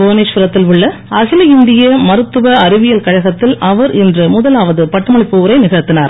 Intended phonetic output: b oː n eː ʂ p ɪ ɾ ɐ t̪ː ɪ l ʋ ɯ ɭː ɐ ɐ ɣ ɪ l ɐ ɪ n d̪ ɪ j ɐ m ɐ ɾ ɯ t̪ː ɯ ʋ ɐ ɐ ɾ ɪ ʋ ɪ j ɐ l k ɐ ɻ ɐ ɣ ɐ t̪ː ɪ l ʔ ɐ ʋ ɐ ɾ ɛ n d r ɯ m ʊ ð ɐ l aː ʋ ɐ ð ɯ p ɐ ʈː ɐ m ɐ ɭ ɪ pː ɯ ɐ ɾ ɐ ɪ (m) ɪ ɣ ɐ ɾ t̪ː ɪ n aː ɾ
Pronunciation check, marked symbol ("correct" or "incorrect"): incorrect